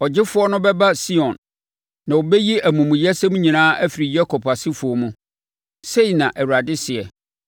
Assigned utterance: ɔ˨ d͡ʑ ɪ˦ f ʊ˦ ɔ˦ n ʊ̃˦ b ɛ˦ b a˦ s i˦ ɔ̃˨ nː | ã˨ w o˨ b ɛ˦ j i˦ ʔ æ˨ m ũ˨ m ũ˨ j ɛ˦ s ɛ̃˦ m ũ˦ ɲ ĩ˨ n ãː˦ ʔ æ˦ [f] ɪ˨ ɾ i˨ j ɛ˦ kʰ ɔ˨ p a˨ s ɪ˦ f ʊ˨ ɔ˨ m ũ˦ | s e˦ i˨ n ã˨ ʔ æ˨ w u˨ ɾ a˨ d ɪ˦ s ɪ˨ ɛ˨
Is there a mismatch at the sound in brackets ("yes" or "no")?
no